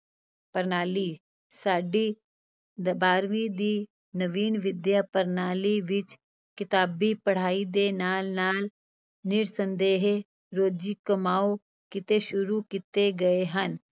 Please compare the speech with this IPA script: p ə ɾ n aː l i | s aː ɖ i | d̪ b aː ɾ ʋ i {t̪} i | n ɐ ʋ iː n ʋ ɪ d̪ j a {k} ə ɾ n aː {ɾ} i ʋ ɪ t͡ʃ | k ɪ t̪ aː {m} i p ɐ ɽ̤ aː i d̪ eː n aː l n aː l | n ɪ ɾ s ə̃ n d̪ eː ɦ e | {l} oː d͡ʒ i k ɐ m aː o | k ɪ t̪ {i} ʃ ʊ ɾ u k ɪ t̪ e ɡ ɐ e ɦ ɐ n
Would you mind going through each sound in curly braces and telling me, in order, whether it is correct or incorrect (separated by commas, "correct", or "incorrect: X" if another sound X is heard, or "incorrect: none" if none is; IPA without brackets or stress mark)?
incorrect: d̪, incorrect: p, incorrect: l, incorrect: b, incorrect: ɾ, incorrect: e